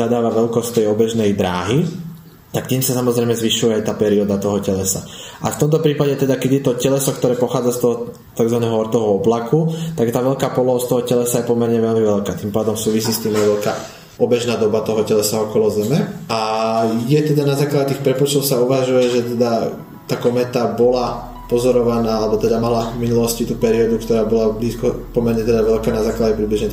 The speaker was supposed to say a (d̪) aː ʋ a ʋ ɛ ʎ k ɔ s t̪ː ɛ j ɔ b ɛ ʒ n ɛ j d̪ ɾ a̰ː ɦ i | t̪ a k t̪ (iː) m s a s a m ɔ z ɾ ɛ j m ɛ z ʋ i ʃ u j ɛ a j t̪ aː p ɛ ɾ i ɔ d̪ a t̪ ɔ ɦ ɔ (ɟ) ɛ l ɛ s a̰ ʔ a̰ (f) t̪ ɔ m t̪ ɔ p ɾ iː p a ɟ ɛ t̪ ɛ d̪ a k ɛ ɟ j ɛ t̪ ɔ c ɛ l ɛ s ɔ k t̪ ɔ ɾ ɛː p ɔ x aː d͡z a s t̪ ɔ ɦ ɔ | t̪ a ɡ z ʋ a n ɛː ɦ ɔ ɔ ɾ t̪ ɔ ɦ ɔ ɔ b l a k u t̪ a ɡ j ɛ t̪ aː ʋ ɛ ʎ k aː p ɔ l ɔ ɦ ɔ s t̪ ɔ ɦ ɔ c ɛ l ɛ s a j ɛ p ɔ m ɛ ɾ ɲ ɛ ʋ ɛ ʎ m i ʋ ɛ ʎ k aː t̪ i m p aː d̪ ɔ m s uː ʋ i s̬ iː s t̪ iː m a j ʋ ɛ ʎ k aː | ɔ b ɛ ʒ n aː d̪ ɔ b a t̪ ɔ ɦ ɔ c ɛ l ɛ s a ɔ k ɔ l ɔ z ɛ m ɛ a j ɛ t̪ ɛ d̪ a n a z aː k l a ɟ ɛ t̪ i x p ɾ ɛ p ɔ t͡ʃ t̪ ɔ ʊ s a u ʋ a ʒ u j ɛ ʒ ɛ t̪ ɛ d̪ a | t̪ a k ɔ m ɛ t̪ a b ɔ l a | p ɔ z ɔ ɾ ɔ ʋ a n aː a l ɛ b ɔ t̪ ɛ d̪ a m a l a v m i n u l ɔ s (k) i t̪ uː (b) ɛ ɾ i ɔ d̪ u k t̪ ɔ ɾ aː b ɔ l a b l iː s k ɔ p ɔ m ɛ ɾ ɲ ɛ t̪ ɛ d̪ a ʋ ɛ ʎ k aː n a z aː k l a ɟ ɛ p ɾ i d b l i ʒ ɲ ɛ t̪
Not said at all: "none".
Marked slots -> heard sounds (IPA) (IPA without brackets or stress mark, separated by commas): d̪, iː, c, f, c, p